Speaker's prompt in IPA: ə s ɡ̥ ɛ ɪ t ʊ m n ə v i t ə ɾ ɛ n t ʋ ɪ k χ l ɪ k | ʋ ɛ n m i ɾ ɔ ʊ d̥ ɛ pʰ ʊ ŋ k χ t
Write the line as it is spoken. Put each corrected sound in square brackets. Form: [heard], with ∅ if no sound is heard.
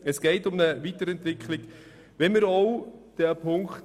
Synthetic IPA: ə s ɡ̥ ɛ ɪ t ʊ m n ə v i t ə ɾ ɛ n t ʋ ɪ k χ l ɪ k | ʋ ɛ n m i ɾ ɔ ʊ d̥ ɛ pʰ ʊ ŋ k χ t